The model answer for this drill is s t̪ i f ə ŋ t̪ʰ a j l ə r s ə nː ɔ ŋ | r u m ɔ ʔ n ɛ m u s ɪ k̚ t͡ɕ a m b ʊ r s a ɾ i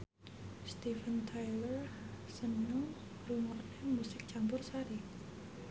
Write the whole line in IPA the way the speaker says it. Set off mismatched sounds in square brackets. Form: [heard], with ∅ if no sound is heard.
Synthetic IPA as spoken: s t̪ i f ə [n] t̪ʰ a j l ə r s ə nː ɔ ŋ | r u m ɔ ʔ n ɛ m u s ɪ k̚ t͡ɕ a m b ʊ r s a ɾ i